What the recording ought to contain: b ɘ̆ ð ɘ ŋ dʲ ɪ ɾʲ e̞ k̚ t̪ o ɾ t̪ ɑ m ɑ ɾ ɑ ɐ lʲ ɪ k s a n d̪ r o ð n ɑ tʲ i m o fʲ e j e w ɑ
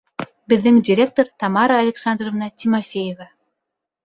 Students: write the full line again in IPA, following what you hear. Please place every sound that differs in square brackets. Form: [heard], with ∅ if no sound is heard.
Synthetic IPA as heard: b ɘ̆ [ðː] ɘ ŋ dʲ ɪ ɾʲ e̞ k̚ t̪ o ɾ t̪ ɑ m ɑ ɾ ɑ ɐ lʲ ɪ k s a n d̪ r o [v] n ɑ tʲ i m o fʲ e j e [v] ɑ